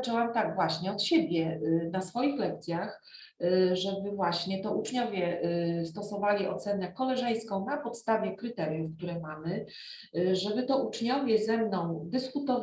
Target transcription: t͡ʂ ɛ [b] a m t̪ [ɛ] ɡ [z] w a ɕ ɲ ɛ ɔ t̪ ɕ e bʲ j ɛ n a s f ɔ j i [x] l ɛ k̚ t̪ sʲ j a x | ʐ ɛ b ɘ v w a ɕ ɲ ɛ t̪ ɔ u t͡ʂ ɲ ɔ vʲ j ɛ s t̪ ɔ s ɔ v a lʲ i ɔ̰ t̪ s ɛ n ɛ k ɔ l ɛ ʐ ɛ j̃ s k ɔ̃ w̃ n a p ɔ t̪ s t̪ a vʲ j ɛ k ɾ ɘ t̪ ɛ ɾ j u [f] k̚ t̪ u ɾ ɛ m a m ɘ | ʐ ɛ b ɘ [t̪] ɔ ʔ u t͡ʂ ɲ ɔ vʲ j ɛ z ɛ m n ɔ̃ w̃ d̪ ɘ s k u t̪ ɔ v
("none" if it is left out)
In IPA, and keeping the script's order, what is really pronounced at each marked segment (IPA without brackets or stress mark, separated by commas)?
w, a, v, x, f, t̪